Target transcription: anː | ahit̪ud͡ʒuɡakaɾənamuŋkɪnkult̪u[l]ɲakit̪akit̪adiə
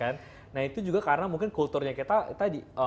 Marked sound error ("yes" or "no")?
yes